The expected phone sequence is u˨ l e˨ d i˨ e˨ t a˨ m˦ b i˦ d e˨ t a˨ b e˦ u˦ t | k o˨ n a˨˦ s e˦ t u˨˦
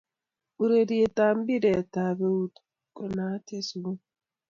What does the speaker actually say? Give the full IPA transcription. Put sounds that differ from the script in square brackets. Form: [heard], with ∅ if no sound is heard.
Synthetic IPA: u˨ [ɾ] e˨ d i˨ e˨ t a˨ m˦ b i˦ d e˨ t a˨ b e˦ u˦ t | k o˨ n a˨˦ [t] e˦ [s] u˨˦